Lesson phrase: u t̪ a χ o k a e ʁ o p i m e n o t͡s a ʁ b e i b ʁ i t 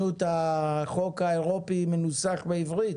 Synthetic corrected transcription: u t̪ a χ o k a e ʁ o p i m e n u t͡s a χ b e i v ʁ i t